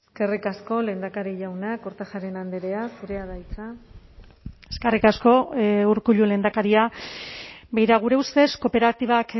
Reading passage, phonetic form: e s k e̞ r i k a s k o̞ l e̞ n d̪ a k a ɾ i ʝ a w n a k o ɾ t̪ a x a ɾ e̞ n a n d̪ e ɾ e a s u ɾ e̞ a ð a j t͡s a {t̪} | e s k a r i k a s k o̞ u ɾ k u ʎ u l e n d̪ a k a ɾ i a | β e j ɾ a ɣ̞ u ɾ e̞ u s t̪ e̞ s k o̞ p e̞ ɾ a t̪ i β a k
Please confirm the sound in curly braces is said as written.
no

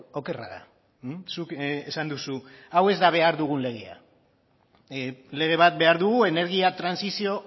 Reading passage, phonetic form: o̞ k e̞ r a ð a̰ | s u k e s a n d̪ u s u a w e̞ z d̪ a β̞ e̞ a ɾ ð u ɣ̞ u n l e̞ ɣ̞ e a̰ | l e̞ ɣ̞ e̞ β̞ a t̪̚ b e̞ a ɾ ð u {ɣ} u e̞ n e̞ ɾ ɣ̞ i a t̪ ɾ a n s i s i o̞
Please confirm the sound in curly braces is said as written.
yes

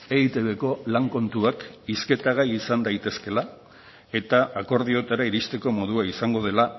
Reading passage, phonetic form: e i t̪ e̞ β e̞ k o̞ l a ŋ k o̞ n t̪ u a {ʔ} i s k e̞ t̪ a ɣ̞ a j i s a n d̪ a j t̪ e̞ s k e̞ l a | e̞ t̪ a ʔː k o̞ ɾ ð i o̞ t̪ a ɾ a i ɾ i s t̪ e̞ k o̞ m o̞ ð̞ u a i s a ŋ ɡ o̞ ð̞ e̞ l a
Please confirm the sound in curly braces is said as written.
no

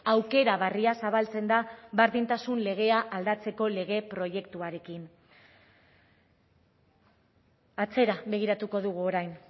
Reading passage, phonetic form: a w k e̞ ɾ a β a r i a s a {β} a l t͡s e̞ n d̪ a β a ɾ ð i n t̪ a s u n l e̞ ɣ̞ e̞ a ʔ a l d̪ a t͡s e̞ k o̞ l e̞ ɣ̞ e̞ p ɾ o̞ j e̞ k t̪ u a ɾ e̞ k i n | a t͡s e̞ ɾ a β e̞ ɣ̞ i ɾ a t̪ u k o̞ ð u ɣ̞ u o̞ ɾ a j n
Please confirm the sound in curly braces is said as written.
yes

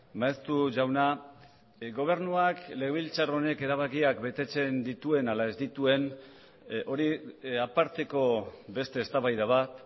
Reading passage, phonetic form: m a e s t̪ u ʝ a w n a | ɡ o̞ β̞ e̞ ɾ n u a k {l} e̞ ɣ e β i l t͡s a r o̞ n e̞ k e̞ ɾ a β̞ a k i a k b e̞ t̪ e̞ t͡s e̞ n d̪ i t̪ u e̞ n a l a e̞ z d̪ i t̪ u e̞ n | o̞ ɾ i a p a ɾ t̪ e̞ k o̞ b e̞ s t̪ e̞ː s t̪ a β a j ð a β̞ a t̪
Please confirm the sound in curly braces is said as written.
yes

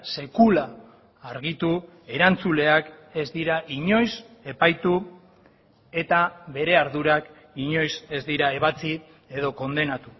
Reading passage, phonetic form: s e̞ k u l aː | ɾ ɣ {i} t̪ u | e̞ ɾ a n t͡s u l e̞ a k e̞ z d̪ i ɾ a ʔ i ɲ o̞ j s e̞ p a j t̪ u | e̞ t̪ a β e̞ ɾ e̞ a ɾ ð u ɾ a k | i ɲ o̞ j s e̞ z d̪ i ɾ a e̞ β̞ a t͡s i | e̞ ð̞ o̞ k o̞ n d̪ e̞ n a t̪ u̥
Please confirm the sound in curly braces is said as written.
yes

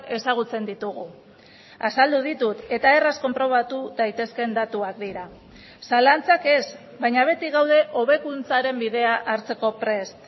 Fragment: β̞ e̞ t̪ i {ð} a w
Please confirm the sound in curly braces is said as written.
no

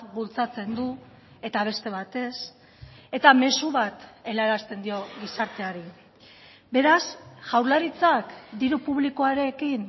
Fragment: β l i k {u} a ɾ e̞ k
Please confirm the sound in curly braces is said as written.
no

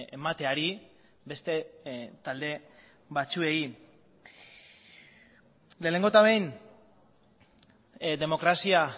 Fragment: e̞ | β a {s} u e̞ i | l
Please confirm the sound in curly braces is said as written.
no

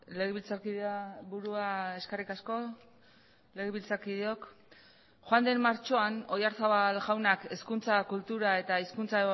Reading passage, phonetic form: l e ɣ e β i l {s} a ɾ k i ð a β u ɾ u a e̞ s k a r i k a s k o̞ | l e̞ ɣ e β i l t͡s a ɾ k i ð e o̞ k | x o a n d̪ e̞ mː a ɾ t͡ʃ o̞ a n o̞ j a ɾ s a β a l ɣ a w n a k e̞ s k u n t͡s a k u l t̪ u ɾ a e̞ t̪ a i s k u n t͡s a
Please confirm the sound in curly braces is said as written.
no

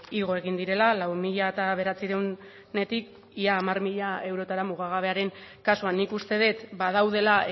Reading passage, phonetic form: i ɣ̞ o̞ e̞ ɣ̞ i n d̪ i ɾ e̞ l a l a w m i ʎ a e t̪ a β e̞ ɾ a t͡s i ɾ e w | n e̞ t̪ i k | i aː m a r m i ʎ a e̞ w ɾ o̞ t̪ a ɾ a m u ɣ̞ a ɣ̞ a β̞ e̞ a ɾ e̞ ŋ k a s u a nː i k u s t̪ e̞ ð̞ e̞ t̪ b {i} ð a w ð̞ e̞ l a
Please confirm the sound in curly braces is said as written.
no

